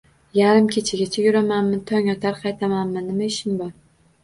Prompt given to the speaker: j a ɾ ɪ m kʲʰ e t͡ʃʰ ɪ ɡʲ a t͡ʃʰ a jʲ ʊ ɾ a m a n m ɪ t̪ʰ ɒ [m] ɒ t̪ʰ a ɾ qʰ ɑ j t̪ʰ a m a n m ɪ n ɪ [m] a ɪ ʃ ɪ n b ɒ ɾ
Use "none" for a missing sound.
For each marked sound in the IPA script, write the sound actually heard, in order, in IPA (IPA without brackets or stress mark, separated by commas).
ŋ, m